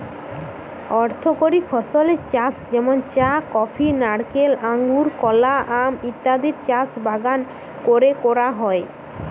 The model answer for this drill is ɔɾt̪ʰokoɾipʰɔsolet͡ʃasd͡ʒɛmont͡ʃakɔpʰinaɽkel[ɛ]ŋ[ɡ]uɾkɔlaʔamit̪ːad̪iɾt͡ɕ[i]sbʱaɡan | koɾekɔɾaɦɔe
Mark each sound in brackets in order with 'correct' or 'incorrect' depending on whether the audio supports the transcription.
incorrect, correct, incorrect

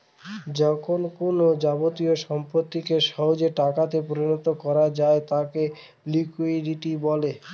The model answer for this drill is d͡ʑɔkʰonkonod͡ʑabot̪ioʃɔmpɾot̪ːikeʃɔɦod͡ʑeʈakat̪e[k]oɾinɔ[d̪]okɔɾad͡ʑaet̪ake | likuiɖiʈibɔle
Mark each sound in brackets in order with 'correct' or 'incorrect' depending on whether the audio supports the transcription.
incorrect, incorrect

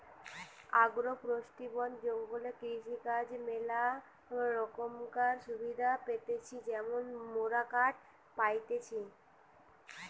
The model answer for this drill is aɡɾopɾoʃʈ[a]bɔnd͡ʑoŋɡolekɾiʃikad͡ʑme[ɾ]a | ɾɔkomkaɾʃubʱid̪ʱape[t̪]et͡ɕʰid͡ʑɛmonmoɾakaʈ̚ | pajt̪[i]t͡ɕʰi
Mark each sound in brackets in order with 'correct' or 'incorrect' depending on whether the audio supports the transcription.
incorrect, incorrect, correct, incorrect

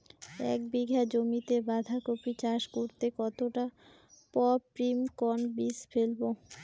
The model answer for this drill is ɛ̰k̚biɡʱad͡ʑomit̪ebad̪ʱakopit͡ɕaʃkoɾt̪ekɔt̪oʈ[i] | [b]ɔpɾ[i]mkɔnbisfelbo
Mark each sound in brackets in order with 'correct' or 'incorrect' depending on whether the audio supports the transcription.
incorrect, incorrect, correct

